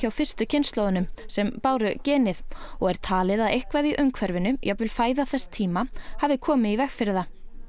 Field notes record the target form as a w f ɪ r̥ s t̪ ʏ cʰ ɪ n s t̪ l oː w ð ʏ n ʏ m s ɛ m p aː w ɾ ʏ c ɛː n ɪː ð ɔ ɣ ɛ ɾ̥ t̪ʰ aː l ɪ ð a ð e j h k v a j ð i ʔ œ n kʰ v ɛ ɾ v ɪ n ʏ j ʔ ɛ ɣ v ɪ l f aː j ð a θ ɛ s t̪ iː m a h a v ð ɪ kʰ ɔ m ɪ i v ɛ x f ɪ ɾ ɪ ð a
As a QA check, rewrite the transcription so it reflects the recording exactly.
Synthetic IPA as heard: a w f ɪ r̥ s t̪ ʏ cʰ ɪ n s t̪ l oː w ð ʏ n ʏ m s ɛ m p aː w ɾ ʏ c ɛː n ɪ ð ɔ ɣ ɛ ɾ̥ t̪ʰ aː l ɪ ð a ð e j h k v a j ð i ʔ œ ŋ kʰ v ɛ ɾ v ɪ n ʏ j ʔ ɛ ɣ v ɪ l f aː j ð a θ ɛ s t̪ʰ iː m a h a v ð ɪ kʰ ɔː m ɪ i v ɛ x f ɪ ɾ ɪ ð a